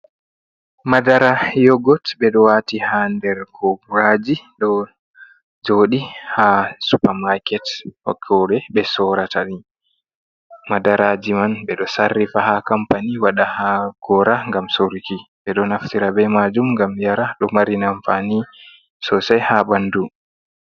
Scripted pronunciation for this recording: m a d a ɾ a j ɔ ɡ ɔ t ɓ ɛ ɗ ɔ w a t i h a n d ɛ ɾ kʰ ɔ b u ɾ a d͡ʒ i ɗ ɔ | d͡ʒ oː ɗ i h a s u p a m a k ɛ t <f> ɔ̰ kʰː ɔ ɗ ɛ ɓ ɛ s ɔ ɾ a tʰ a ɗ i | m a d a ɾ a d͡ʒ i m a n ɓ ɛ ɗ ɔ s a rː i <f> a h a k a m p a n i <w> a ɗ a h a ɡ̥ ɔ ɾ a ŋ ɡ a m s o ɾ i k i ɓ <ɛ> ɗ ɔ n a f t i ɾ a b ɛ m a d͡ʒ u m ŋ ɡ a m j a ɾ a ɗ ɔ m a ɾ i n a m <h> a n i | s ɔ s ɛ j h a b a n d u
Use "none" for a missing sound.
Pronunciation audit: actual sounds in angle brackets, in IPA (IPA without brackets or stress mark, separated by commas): h, f, w, ɛ, f